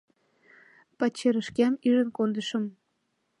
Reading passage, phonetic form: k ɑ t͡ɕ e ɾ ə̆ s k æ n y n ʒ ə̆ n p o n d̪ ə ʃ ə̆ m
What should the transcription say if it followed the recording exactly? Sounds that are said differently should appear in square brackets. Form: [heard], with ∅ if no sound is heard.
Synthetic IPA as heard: [p] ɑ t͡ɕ e ɾ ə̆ [ʃ] k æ [m] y [∅] ʒ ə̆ n [k] o n d̪ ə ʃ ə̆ m